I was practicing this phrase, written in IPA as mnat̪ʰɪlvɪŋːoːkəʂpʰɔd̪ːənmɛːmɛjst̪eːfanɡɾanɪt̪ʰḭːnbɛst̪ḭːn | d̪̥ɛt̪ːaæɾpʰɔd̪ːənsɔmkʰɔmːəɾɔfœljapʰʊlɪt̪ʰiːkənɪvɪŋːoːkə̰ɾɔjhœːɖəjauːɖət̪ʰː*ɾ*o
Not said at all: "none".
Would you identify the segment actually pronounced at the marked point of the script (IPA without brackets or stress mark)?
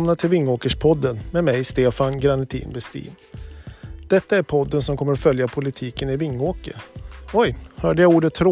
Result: ɾ